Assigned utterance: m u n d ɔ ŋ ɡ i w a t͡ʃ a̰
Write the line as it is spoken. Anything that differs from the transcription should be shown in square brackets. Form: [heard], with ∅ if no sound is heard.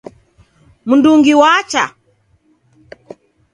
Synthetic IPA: m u n d [u] ŋ ɡ i w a t͡ʃ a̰